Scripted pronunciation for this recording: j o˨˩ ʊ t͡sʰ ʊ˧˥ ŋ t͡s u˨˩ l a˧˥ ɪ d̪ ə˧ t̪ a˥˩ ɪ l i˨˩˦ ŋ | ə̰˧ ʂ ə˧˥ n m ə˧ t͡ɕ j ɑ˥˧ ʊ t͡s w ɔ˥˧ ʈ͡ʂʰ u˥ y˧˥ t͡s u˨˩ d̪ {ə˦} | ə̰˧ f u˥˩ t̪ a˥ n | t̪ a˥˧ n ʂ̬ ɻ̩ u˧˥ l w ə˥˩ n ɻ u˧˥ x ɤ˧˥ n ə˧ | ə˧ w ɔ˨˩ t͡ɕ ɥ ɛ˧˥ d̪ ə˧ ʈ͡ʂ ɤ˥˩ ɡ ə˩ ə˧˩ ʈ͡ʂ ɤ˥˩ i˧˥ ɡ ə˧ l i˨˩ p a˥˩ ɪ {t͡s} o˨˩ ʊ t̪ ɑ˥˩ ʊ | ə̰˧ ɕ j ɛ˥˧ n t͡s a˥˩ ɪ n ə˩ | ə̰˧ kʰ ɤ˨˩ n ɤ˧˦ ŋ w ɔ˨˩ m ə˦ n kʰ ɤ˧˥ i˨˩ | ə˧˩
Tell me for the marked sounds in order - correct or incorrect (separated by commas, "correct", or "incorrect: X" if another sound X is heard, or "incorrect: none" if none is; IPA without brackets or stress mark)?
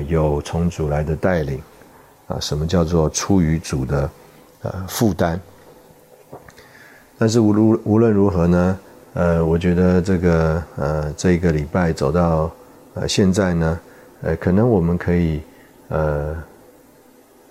correct, correct